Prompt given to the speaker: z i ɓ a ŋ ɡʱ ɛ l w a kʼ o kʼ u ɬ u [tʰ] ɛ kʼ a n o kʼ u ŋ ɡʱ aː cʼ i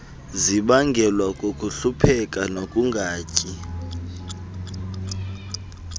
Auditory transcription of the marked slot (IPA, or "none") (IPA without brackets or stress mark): pʰ